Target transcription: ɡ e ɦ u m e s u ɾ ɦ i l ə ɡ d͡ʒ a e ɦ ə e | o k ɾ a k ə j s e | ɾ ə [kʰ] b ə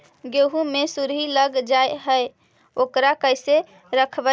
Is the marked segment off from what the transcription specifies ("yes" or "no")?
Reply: no